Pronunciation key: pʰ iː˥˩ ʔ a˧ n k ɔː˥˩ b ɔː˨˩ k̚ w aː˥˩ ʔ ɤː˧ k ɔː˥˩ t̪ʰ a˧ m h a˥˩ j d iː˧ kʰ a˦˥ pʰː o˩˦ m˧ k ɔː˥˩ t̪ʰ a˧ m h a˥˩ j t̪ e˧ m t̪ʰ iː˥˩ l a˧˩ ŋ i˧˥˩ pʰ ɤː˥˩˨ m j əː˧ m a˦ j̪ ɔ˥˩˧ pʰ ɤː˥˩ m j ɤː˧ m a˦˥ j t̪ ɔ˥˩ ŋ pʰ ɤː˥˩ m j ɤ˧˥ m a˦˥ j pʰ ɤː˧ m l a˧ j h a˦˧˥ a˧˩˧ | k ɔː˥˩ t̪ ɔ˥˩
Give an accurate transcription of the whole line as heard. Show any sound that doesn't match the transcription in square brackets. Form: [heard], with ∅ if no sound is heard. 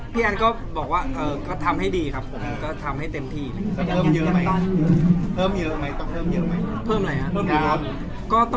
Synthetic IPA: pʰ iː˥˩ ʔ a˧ n k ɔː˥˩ b ɔː˨˩ k̚ w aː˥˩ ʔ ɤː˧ k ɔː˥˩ t̪ʰ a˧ m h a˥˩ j d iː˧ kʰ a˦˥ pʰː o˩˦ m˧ k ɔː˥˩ t̪ʰ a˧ m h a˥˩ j t̪ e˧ m t̪ʰ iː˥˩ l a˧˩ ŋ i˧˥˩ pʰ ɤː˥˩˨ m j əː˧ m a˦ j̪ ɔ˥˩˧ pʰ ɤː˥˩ m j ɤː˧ m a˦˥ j t̪ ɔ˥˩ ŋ pʰ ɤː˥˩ m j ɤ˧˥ m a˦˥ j pʰ [ɤː˥˩] m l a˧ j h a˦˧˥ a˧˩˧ | k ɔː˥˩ t̪ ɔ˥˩